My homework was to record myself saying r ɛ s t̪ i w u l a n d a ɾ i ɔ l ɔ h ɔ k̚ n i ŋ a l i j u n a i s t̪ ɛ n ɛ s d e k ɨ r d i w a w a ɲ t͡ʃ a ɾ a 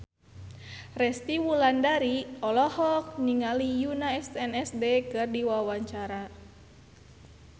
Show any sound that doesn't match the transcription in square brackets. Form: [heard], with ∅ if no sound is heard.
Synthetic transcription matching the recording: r ɛ s t̪ i w u l a n d a ɾ i ɔ l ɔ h ɔ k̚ n i ŋ a l i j u n a [ɛ] s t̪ ɛ n ɛ s d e k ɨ r d i w a w a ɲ t͡ʃ a ɾ a